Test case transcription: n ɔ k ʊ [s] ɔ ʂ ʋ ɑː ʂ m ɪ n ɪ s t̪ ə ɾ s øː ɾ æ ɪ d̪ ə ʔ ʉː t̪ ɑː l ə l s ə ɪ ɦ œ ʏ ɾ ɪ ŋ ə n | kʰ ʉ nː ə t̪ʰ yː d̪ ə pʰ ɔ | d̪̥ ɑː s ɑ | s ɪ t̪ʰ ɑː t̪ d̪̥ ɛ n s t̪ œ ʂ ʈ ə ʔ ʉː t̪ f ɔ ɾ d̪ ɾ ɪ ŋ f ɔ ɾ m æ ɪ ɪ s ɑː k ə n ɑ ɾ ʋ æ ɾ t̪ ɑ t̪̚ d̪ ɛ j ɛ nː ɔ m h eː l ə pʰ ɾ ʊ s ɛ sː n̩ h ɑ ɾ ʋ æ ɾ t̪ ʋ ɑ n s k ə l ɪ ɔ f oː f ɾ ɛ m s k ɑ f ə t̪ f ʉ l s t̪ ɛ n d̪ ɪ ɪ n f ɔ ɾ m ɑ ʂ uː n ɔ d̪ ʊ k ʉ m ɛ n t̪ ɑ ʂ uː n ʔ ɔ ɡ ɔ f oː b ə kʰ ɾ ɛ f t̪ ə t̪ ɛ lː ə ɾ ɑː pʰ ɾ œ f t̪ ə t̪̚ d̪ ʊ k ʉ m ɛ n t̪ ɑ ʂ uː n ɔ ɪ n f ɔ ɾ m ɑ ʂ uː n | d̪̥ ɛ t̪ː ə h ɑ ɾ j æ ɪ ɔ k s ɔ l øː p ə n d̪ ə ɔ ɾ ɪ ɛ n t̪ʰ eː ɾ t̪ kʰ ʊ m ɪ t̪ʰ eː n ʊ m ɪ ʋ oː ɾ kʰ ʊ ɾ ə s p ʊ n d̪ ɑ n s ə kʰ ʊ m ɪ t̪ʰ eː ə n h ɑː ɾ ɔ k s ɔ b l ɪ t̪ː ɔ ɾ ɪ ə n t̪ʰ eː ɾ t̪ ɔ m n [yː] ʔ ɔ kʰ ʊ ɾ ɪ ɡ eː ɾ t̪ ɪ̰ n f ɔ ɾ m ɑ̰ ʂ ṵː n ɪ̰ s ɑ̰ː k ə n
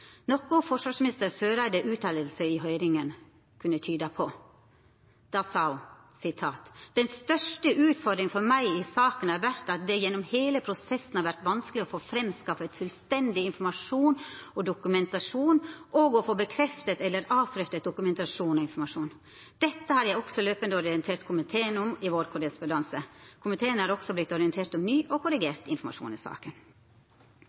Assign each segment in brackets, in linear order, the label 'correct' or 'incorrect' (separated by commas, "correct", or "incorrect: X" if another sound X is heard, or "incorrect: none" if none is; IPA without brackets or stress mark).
incorrect: f, correct